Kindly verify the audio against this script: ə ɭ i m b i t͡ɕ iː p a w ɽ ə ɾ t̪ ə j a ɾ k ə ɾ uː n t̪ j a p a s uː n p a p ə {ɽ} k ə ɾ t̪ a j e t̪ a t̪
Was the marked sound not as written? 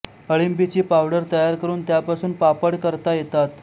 no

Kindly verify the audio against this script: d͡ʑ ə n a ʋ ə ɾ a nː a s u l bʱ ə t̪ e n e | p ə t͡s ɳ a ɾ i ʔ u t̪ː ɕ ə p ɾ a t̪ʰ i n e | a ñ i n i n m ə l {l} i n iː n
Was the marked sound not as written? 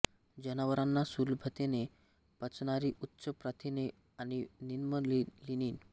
no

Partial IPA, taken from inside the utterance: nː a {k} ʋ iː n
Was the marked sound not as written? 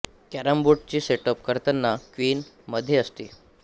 no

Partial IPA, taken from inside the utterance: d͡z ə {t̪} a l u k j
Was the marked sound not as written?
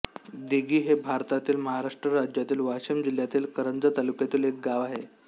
no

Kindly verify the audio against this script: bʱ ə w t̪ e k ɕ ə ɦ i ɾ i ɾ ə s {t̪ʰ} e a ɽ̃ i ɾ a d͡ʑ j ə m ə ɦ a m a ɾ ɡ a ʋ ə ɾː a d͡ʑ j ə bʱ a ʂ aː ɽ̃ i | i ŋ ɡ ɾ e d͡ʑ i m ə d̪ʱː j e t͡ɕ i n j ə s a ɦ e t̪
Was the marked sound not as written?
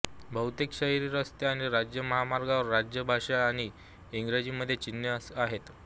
yes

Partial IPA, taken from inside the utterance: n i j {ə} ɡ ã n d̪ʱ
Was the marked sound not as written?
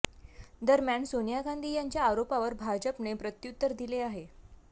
yes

